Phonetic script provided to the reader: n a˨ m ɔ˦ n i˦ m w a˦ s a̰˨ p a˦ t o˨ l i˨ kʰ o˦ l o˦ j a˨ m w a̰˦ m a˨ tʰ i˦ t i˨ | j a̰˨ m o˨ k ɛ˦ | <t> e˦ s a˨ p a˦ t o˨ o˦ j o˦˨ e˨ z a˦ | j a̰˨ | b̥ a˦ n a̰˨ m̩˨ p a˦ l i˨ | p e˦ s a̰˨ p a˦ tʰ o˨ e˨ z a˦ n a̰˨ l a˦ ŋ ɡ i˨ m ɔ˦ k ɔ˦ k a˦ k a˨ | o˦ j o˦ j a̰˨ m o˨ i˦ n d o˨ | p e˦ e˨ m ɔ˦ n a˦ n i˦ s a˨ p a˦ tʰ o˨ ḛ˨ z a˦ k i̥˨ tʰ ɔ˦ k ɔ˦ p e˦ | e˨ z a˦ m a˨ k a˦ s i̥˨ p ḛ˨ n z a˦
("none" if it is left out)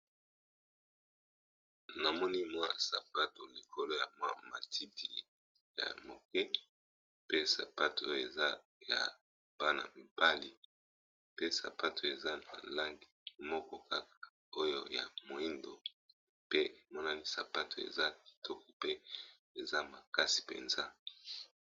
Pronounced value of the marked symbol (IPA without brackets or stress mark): p